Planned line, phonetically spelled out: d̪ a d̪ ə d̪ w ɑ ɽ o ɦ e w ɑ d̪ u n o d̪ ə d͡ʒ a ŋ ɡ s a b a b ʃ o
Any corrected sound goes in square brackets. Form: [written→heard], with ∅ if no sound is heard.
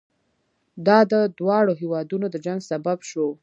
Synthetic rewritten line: d̪ [a→ɑ] d̪ ə d̪ w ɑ ɽ o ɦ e w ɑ d̪ u n o d̪ ə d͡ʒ a ŋ ɡ s a b a b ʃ o

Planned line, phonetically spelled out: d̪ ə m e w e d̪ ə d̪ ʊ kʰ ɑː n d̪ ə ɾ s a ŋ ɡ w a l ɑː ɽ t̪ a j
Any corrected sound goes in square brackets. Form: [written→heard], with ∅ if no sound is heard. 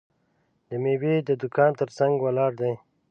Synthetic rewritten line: d̪ ə m e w e d̪ ə d̪ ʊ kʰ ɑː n [d̪→t̪] ə ɾ s a ŋ ɡ w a l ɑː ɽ [t̪→d̪] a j

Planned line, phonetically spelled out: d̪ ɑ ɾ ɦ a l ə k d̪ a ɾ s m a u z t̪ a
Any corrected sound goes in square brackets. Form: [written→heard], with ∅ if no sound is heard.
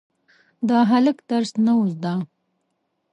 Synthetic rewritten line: d̪ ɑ [ɾ→∅] ɦ a l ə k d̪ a ɾ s [m→n] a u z [t̪→d̪] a

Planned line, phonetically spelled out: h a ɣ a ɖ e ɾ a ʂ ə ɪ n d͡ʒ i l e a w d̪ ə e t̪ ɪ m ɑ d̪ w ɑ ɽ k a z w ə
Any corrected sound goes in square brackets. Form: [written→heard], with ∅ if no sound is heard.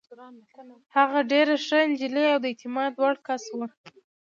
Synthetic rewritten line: h a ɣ a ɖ e ɾ a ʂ ə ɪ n d͡ʒ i l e a w d̪ ə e t̪ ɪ m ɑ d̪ w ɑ ɽ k a [z→s] w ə

